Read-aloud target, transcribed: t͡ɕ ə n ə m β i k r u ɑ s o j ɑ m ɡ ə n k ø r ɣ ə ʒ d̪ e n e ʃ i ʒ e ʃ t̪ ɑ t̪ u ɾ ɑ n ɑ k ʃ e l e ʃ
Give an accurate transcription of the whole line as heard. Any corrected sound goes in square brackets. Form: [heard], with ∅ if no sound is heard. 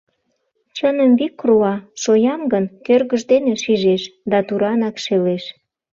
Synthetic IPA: t͡ɕ ə n ə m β i k r u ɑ [ʃ] o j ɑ m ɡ ə n k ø r ɣ ə ʒ d̪ e n e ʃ i ʒ e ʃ [d̪] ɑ t̪ u ɾ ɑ n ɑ k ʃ e l e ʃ